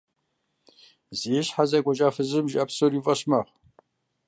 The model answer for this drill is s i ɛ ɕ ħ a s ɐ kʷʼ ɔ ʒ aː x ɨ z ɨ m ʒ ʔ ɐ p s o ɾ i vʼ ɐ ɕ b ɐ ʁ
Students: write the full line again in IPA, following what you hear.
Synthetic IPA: z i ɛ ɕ ħ a z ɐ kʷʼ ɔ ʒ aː f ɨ z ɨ m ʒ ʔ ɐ p s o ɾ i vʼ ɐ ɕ m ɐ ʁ